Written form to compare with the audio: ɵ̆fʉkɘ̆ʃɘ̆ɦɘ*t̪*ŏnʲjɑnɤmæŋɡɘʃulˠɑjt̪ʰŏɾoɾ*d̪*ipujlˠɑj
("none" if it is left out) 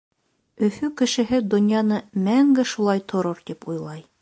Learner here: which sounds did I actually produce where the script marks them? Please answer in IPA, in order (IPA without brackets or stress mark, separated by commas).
d̪, t̪